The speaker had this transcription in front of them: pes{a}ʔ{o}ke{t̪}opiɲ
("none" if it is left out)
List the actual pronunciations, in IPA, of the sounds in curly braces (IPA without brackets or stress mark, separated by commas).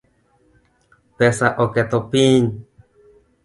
a, o, t̪